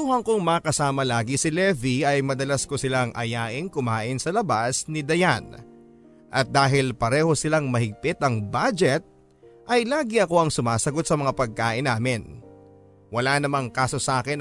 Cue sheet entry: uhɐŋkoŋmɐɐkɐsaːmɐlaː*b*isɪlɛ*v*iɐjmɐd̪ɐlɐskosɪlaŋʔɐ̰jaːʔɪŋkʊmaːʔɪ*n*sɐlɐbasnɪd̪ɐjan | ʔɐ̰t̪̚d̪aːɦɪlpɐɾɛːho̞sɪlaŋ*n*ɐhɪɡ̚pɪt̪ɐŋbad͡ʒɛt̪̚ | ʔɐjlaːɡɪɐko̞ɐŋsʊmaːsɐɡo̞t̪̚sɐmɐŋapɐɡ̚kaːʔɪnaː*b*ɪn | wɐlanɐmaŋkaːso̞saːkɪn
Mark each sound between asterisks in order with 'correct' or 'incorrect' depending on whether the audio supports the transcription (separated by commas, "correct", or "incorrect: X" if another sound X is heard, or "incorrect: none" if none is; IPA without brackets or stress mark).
incorrect: ɡ, correct, correct, incorrect: m, incorrect: m